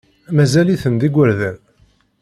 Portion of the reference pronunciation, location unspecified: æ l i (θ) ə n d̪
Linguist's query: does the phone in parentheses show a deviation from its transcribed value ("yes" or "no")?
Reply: no